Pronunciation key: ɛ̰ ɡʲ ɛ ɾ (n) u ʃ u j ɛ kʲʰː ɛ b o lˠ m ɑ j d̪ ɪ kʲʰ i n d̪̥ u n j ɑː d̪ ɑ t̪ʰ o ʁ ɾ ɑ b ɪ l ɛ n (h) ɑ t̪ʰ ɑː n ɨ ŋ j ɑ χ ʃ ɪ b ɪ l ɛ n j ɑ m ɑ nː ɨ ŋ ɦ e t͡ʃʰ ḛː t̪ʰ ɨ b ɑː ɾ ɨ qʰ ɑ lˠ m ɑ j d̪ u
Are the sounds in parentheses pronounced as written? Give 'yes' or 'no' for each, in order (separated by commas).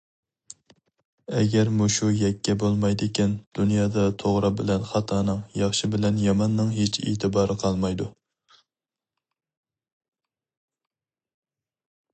no, no